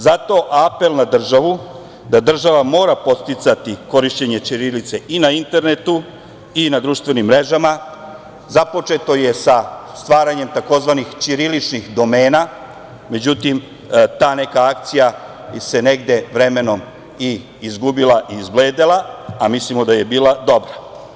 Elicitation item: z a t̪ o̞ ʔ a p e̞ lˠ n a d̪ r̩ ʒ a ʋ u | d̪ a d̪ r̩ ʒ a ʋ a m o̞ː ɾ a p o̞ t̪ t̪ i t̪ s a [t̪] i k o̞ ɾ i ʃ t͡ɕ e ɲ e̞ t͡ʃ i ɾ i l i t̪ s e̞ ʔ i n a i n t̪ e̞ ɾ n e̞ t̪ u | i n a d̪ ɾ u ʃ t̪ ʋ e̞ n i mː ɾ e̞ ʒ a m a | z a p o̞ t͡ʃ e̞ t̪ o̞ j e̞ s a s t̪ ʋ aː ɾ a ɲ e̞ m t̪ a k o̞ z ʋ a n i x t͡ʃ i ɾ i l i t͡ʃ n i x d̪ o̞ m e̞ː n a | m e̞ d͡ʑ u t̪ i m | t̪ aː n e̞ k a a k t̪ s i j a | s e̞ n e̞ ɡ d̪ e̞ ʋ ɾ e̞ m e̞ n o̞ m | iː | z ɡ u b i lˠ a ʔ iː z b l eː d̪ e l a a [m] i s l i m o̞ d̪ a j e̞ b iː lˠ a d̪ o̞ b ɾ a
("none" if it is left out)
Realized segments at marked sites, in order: t̪, m

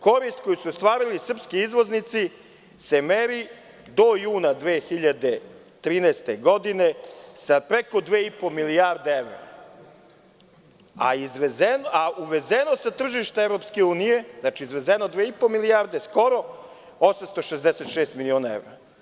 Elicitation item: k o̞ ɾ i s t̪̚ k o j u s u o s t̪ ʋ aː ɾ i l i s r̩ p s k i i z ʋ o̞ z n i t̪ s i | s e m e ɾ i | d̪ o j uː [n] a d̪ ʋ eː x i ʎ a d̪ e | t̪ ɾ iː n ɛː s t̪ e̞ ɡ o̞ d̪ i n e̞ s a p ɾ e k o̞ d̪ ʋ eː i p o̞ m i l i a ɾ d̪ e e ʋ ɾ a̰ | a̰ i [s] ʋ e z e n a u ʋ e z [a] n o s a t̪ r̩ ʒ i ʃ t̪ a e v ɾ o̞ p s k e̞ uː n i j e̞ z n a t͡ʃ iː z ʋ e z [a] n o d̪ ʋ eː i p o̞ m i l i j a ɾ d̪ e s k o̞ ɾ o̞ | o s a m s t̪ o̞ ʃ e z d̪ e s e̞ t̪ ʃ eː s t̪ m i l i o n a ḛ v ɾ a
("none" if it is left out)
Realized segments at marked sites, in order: n, z, e, e

